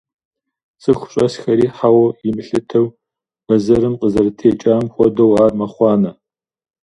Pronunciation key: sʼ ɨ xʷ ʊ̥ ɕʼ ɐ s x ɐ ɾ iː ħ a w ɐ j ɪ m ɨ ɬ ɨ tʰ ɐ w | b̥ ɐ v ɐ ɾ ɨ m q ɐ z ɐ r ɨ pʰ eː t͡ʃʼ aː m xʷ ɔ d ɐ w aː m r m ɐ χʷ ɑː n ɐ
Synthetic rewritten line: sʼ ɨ xʷ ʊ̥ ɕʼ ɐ s x ɐ ɾ iː ħ a w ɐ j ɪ m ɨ ɬ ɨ tʰ ɐ w | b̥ ɐ z ɐ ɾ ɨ m q ə z ɐ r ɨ tʰ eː t͡ʃʼ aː m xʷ ɔ d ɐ w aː r m ɐ χʷ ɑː n ɐ